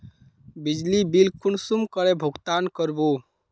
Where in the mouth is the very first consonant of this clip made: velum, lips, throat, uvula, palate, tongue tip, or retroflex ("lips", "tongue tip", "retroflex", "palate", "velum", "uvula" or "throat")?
lips